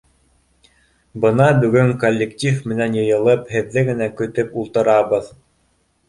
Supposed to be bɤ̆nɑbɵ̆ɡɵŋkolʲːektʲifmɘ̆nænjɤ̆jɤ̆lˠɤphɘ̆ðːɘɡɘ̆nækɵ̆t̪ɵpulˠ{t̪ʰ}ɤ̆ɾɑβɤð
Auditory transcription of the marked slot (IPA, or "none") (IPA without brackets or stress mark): t̪